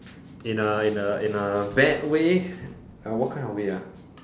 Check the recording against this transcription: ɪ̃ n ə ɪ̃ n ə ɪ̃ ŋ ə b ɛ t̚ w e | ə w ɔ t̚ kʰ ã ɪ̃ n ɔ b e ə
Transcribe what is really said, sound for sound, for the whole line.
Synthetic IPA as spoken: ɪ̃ n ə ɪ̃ n ə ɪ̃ n ə b ɛ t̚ w e | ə w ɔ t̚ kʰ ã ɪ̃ n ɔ w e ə